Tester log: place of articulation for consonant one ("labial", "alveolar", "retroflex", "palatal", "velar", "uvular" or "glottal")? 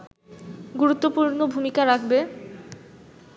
velar